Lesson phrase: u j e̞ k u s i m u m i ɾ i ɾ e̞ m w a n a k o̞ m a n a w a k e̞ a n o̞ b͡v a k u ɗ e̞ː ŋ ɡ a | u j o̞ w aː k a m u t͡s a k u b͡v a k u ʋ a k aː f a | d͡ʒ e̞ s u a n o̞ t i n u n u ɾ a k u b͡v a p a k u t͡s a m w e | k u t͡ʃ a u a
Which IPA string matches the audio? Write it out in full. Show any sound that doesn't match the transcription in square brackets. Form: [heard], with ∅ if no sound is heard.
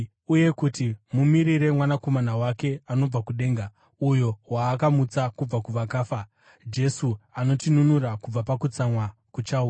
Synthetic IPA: u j e̞ k u [t] i m u m i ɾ i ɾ e̞ m w a n a k o̞ m a n a w a k e̞ a n o̞ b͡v a k u ɗ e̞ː ŋ ɡ a | u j o̞ w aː k a m u t͡s a k u b͡v a k u ʋ a k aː f a | d͡ʒ e̞ s u a n o̞ t i n u n u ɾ a k u b͡v a p a k u t͡s a m w [a] | k u t͡ʃ a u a